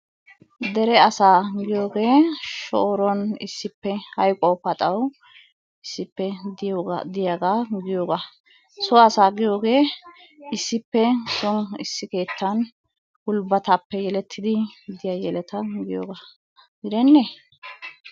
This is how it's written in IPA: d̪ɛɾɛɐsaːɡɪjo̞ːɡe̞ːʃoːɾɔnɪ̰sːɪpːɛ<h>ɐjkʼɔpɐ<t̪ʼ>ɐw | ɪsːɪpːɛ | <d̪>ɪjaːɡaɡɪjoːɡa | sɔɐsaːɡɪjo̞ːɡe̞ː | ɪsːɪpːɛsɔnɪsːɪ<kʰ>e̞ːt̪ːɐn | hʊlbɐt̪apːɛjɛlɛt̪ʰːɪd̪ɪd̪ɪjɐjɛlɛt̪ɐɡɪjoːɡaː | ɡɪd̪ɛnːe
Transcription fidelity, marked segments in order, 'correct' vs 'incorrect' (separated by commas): correct, correct, correct, incorrect